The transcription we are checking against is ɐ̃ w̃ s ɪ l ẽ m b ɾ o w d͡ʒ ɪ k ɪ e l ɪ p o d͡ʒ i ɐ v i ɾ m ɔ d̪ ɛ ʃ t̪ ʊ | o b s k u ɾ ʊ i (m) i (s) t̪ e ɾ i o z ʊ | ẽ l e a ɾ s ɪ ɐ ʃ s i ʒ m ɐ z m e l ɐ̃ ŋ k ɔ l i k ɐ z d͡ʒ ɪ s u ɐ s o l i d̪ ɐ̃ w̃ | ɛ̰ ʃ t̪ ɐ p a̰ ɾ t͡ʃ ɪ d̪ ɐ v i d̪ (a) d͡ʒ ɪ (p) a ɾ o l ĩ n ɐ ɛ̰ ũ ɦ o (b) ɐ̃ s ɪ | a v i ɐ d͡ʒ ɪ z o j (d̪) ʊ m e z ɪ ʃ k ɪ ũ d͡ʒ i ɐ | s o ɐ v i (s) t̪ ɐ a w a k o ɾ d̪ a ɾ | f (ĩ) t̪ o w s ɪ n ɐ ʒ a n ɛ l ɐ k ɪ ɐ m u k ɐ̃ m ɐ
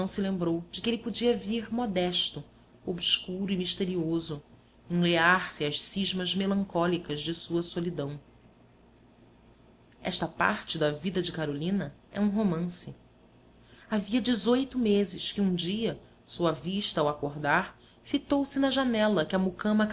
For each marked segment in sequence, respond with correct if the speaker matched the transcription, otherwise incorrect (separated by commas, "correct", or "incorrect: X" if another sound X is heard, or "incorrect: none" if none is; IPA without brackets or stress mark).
correct, incorrect: ʃ, incorrect: ɐ, incorrect: k, incorrect: m, incorrect: t̪, incorrect: ʃ, incorrect: i